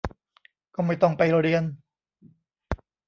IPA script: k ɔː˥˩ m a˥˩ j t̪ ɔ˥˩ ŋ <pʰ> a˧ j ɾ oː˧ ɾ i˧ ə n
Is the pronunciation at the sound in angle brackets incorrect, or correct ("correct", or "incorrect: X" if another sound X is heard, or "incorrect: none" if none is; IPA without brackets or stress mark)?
incorrect: p